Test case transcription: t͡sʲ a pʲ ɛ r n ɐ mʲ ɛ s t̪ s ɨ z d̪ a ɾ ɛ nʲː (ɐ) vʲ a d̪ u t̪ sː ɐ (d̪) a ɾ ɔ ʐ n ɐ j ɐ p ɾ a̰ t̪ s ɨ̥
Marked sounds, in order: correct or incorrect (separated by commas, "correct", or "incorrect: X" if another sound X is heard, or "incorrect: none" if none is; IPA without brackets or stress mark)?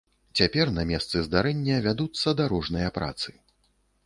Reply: correct, correct